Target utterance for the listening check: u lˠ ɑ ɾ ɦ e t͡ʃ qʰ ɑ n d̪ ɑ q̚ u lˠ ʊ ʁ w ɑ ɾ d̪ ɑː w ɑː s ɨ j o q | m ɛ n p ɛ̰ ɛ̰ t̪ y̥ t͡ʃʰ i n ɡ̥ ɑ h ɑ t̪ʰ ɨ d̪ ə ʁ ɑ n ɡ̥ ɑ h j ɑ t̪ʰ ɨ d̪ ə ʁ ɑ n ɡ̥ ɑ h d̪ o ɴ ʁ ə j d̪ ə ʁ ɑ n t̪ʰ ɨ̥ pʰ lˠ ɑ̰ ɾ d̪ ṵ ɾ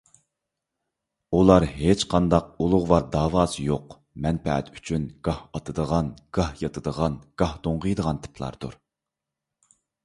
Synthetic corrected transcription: u lˠ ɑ ɾ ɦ e t͡ʃ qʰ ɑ n d̪ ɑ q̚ u lˠ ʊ ʁ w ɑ ɾ d̪ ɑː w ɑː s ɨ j o q | m ɛ n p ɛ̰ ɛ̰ t̪ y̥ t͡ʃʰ y n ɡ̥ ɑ h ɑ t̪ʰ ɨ d̪ ə ʁ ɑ n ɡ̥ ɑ h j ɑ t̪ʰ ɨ d̪ ə ʁ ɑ n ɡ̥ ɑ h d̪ o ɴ ʁ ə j d̪ ə ʁ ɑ n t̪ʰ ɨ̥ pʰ lˠ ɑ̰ ɾ d̪ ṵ ɾ